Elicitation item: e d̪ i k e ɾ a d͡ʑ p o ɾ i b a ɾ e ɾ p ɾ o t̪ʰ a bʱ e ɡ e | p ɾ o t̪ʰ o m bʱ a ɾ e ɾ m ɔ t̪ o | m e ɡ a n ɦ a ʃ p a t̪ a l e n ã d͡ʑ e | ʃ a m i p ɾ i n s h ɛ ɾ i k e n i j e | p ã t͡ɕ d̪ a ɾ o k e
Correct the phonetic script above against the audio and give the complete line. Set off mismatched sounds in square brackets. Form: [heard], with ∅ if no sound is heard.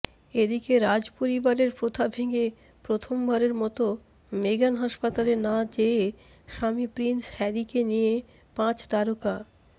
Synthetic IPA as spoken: e d̪ i k e ɾ a d͡ʑ p o ɾ i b a ɾ e ɾ p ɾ o t̪ʰ a bʱ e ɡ e | p ɾ o t̪ʰ o m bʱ a ɾ e ɾ m ɔ t̪ o | m e ɡ a n ɦ a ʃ p a t̪ a l e n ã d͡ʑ e | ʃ a m i p ɾ i n s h ɛ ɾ i k e n i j e | p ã t͡ɕ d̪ a ɾ o k [a]